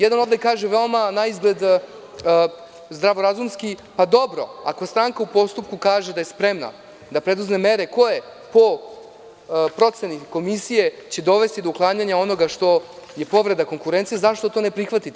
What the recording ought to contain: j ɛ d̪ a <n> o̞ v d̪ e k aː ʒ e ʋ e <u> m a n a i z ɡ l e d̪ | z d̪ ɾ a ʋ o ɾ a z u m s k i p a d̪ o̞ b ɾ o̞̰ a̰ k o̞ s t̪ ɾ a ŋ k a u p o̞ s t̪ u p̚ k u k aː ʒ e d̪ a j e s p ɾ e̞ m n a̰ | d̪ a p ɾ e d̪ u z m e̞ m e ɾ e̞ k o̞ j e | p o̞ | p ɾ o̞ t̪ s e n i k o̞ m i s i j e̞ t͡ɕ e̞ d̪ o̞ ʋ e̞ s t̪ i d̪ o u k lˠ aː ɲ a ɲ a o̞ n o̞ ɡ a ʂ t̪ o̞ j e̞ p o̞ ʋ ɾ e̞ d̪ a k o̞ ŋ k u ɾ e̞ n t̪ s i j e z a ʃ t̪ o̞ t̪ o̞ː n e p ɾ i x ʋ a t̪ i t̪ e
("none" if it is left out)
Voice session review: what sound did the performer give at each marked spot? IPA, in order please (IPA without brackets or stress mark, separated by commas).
n, o